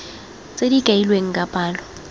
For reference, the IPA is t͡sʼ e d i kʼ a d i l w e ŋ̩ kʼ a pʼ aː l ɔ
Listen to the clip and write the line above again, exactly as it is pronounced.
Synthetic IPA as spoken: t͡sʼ e d i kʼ a i l w e ŋ̩ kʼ a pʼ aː l ɔ